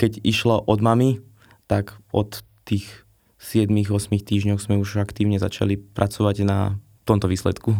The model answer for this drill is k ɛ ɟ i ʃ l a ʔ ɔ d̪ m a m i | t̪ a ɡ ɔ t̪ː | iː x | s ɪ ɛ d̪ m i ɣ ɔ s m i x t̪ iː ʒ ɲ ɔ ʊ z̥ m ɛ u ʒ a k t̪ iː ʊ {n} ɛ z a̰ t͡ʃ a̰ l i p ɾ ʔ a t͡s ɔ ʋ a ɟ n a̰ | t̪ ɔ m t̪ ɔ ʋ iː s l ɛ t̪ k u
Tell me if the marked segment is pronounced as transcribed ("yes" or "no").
no